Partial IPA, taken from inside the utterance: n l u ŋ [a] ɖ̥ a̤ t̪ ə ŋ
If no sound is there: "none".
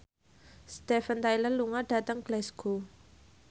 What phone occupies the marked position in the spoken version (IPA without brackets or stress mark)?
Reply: a